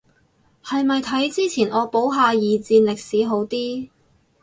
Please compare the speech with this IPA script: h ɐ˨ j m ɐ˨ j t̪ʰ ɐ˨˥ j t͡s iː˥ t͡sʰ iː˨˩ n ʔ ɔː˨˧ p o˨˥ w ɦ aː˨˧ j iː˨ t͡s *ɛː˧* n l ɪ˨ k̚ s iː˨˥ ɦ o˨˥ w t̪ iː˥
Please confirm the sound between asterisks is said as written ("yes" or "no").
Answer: no